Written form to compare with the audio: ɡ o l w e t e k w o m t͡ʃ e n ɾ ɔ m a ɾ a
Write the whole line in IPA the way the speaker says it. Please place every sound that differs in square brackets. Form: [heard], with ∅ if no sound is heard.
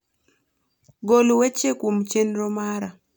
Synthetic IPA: ɡ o l w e [t͡ʃ] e k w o m t͡ʃ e n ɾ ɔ m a ɾ a

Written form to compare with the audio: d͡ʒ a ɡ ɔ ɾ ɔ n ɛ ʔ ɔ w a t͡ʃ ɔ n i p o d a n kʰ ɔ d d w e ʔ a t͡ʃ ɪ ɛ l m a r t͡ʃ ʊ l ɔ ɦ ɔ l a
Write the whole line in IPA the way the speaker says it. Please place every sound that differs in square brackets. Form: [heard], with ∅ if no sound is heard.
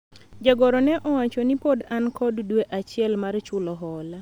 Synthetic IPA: d͡ʒ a ɡ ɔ ɾ ɔ n ɛ ʔ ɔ w a t͡ʃ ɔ n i p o d a n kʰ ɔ d d w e ʔ a t͡ʃ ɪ ɛ l m a r t͡ʃ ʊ l ɔ ɦ ɔ l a

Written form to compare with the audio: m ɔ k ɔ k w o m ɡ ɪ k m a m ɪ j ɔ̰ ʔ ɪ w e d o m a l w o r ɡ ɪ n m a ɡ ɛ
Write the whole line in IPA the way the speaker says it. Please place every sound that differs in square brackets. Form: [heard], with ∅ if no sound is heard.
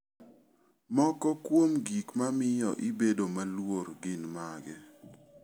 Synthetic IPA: m ɔ k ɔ k w o m ɡ [i] k m a m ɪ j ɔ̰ ʔ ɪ [b] e d o m a l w o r ɡ ɪ n m a ɡ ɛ

